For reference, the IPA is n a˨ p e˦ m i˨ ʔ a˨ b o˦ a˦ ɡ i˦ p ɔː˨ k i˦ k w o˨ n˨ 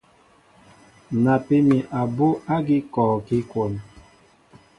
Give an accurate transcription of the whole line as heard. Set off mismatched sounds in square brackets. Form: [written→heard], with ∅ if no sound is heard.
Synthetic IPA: n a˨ p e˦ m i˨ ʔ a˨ b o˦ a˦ ɡ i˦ [p→k] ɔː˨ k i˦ k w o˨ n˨